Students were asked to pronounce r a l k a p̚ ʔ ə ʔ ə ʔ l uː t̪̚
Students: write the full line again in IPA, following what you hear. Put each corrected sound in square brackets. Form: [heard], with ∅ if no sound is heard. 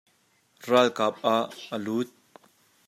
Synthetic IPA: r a l k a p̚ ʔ [a] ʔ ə [∅] l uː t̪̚